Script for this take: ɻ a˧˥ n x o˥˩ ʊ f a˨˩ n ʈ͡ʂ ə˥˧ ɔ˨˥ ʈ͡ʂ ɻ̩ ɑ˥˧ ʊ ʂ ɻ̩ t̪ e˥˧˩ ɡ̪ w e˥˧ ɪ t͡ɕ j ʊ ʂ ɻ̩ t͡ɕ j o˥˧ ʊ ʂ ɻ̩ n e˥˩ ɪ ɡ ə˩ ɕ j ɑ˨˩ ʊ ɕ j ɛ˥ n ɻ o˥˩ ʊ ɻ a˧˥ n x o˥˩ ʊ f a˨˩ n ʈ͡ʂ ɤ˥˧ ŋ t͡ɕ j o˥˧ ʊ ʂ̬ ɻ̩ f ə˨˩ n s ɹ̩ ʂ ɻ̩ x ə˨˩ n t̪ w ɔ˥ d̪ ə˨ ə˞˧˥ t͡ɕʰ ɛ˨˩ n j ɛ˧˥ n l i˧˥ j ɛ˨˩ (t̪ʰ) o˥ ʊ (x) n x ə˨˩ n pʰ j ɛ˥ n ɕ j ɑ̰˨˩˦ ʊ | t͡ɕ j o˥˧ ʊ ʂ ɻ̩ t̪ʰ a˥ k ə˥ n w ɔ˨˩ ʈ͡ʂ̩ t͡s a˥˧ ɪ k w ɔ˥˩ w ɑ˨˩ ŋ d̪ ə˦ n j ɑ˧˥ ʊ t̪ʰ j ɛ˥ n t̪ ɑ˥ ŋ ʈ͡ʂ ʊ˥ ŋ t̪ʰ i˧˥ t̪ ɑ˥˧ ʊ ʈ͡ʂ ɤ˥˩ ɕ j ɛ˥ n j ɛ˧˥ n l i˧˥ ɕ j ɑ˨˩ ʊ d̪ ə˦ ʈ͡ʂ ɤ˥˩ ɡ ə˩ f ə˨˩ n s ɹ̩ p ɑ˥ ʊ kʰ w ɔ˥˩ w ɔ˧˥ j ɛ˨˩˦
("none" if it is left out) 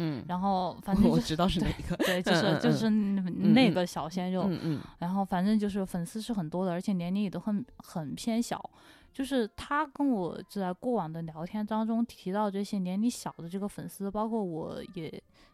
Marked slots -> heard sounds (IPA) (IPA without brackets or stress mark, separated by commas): t̪, x